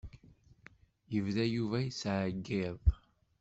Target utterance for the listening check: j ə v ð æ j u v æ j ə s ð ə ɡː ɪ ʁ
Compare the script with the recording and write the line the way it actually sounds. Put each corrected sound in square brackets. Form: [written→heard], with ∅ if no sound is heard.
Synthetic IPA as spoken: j ə v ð æ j u v æ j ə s [ð→ʕ] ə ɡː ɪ [ʁ→ð]